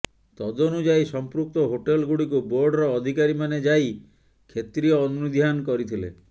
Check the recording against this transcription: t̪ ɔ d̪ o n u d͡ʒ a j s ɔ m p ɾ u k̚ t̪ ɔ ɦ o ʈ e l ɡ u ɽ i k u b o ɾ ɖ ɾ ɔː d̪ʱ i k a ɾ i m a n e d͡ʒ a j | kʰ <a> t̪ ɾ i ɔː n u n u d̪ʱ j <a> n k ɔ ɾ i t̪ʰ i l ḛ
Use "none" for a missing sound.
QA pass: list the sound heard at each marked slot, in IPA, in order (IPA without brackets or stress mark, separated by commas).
e, a